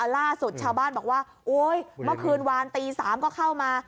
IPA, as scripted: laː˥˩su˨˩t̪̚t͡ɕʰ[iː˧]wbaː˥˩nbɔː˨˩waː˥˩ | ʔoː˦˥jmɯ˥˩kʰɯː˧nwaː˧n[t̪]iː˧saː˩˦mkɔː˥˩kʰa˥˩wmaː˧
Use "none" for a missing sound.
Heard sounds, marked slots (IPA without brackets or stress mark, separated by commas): aː˧, t̪